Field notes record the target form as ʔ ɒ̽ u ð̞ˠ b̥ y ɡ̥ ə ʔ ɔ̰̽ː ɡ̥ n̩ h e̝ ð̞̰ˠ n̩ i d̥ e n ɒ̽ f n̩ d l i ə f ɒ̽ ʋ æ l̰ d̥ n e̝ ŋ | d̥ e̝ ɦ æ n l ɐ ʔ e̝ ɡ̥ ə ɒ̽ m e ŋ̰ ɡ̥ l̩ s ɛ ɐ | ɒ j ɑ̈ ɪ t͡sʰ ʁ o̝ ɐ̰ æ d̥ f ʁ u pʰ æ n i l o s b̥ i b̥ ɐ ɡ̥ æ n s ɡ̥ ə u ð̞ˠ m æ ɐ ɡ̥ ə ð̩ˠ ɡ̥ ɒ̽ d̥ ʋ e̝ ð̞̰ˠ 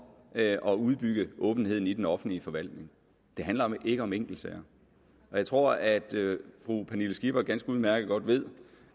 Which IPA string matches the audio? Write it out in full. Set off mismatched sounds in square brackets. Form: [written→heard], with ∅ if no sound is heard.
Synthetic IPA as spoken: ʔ ɒ̽ u ð̞ˠ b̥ y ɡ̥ ə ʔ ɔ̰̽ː [ɡ̥→b̥] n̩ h e̝ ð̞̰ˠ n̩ i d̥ e n ɒ̽ f n̩ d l i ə f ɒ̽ ʋ æ l̰ d̥ n e̝ ŋ | d̥ e̝ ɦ æ n l ɐ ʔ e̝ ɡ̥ ə ɒ̽ m e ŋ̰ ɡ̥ l̩ s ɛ ɐ | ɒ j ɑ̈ ɪ t͡sʰ ʁ o̝ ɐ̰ æ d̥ f ʁ u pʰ æ n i l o s [b̥→ɡ̥] i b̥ ɐ ɡ̥ æ n s ɡ̥ ə u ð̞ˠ m æ ɐ ɡ̥ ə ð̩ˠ ɡ̥ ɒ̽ d̥ ʋ e̝ ð̞̰ˠ